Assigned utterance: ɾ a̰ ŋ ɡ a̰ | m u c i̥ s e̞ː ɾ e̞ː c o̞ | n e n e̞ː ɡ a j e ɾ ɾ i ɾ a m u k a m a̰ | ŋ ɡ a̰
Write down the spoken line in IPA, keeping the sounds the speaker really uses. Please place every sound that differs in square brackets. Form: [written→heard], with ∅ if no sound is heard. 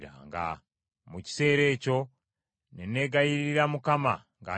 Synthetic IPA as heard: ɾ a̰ ŋ ɡ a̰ | m u c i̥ s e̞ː ɾ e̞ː c o̞ | n e n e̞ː ɡ a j [e→i] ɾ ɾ i ɾ a m u k a m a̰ | ŋ ɡ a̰